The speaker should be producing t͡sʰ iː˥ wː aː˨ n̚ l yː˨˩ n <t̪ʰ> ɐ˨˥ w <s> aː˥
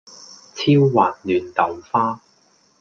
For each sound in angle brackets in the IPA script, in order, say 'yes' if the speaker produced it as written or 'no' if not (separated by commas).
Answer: no, no